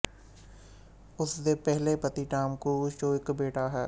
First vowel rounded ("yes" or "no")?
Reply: yes